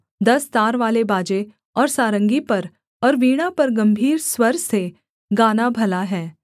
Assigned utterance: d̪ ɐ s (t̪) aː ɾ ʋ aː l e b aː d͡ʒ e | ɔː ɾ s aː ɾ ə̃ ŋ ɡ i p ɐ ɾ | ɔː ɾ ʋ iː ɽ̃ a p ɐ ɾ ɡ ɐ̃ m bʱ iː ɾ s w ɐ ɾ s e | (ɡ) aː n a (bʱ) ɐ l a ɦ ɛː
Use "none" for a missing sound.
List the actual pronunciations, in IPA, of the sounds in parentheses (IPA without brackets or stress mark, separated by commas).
t̪, ɡ, bʱ